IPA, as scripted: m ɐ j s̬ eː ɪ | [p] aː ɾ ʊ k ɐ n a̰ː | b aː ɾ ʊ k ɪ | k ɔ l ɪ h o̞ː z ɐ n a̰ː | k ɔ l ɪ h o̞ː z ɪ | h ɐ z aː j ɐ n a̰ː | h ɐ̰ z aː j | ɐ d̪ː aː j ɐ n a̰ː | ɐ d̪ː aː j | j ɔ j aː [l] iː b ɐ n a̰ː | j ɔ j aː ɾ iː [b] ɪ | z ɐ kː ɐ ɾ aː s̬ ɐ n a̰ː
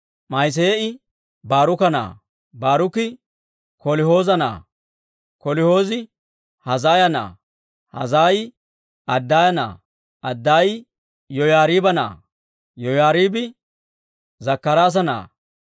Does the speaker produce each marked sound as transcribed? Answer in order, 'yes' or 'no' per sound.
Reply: no, no, yes

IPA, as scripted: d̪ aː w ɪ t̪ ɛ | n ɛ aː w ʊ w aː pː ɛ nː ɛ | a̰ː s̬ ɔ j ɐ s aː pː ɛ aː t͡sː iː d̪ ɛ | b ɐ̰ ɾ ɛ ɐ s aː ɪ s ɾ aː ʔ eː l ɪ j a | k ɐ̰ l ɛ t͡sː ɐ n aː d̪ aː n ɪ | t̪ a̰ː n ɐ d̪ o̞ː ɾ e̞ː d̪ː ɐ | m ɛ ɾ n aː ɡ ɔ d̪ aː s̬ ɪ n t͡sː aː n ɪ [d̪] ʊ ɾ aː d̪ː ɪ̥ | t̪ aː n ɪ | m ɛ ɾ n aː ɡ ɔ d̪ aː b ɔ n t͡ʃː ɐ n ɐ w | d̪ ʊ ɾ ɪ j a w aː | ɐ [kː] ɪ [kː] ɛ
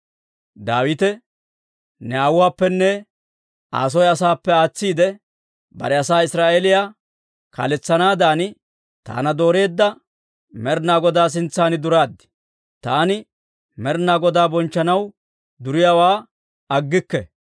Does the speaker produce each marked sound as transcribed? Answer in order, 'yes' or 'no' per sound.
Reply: yes, no, yes

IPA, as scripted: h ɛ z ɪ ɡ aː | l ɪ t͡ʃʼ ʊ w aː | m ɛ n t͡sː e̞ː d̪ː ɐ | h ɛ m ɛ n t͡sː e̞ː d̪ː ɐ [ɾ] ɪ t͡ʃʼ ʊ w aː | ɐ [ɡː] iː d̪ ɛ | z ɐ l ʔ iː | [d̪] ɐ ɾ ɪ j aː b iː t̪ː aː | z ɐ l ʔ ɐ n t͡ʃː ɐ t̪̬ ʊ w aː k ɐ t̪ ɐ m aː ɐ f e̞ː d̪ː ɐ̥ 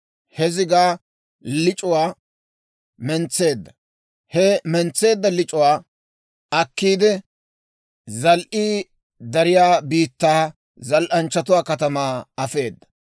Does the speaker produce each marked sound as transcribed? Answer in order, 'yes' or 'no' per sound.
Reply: no, no, yes

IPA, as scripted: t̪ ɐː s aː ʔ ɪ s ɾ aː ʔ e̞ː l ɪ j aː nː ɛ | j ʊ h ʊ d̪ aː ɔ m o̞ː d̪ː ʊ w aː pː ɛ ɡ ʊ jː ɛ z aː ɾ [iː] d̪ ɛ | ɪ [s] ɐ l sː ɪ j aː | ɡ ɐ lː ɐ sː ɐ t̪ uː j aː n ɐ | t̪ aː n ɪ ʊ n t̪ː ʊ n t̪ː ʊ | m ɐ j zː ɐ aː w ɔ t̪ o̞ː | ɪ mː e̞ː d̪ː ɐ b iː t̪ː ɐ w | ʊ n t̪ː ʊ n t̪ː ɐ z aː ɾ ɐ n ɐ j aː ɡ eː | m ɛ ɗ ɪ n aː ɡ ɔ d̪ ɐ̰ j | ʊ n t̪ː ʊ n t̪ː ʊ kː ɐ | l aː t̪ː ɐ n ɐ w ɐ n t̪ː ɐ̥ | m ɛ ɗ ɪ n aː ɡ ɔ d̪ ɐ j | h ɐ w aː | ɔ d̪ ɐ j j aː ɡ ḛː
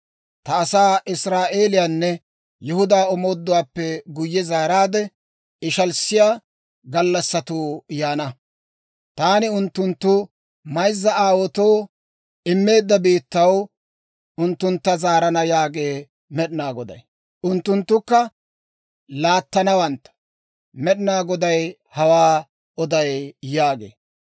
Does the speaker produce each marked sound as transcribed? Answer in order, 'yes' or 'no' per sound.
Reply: no, no

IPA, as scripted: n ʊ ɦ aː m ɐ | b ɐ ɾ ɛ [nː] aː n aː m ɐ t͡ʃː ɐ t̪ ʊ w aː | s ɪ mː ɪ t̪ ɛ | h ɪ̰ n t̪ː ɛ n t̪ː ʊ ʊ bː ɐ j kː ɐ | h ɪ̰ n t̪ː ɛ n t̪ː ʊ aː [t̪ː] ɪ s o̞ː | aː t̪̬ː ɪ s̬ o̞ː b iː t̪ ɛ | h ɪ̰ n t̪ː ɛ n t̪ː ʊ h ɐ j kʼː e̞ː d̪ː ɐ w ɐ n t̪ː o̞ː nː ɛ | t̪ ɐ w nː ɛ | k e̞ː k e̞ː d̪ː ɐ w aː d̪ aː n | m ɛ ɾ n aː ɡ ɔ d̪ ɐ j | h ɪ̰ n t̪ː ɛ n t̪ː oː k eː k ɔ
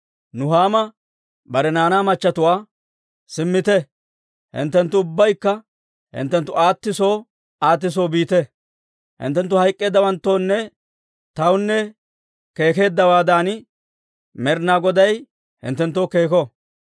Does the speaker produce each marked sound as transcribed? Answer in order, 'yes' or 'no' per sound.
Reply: no, yes

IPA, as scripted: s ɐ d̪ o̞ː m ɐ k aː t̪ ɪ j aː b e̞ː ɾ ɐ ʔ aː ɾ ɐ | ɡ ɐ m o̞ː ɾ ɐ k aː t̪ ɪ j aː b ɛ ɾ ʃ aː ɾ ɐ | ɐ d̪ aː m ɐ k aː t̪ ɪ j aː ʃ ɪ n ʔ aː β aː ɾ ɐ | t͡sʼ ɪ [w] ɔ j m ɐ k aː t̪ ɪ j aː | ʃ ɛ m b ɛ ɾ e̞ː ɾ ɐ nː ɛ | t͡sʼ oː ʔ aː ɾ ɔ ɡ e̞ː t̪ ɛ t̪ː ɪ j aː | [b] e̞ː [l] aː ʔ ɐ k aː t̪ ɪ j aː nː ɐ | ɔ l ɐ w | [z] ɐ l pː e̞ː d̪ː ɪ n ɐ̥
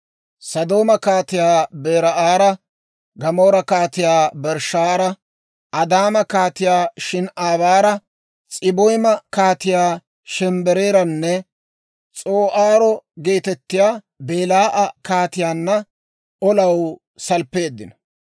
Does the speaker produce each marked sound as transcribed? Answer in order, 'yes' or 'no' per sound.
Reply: no, yes, yes, no

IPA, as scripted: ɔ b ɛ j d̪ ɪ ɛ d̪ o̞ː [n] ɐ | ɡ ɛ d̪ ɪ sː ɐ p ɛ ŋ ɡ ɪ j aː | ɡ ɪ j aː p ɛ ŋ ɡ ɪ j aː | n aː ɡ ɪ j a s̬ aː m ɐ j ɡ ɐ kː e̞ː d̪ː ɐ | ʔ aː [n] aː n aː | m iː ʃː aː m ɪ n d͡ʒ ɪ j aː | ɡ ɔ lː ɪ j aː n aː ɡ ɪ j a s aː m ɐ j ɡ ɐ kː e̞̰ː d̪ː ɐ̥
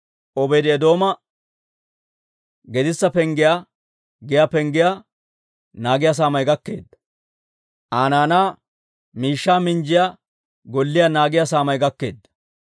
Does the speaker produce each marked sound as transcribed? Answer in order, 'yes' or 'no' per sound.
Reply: no, yes

